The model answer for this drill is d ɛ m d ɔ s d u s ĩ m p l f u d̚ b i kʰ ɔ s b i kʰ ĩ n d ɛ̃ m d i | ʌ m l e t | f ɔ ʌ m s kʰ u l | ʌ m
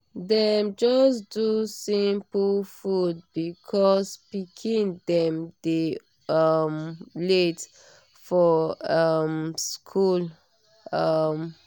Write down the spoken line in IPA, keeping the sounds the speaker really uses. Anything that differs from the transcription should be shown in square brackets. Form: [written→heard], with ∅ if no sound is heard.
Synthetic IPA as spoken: d ɛ m [d→d͡ʒ] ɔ s d u s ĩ m p l f u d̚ b i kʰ ɔ s [b→p] i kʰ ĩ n d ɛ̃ m d [i→e] | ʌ m l e t | f ɔ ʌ m s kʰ u l | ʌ m